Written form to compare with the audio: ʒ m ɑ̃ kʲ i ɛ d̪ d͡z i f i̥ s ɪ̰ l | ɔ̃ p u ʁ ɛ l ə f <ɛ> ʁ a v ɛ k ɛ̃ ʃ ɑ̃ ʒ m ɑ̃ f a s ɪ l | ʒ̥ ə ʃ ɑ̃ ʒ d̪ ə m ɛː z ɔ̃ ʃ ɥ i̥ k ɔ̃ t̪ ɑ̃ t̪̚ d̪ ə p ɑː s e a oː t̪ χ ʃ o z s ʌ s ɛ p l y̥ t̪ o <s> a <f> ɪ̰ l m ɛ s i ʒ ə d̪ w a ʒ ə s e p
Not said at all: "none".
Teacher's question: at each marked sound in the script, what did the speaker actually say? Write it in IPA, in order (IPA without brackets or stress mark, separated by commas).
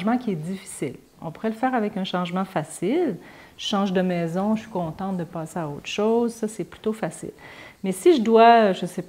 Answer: ɛː, f, s